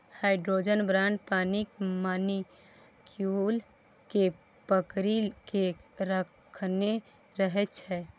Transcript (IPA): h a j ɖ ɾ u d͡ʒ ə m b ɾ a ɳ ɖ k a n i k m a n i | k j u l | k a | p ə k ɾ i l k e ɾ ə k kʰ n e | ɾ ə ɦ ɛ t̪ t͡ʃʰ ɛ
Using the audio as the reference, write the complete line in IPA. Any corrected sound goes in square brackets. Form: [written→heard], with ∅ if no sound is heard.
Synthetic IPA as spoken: h a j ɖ ɾ [u→o] d͡ʒ ə [m→n] b ɾ a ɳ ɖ [k→p] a n i k m a n i | k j u l | k [a→e] | p ə k ɾ i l k e ɾ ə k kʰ n e | ɾ ə ɦ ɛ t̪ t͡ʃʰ ɛ